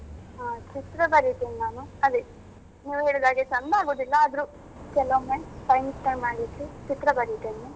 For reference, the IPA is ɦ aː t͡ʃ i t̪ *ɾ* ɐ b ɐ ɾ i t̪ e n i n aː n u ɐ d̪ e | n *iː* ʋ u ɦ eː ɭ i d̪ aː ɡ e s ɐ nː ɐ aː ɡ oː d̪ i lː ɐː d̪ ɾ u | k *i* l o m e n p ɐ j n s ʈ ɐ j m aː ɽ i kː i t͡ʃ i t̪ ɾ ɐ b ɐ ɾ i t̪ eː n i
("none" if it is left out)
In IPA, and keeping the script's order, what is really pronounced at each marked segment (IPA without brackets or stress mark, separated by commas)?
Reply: ɾ, iː, ɛ